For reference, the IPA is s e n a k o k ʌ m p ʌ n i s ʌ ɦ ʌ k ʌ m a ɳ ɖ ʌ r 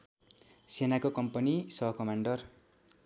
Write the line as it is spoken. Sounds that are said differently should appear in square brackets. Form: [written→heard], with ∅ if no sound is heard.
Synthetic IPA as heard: s e n a k o k ʌ m p ʌ n i s ʌ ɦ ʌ k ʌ m a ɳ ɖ ʌ r